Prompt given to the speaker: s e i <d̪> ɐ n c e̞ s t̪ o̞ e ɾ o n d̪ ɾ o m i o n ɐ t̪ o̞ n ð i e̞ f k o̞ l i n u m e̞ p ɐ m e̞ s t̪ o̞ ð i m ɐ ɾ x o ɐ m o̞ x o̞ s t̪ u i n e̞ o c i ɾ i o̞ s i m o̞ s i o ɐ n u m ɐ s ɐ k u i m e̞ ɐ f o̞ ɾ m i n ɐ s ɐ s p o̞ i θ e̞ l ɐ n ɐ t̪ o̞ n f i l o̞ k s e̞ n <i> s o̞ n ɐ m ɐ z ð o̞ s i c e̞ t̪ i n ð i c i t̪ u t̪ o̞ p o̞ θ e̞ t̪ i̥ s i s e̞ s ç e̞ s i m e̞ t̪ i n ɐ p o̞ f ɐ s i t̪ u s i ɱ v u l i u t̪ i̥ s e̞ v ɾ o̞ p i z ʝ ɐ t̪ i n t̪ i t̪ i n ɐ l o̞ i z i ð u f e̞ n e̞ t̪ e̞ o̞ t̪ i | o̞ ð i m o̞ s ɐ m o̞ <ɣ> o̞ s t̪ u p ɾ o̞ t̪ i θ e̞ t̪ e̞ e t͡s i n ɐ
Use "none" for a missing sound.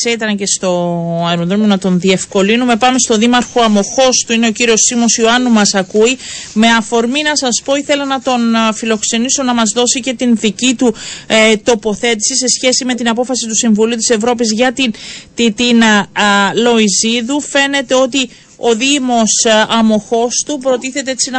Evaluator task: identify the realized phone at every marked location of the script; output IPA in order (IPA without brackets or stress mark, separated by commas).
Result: t̪, i, x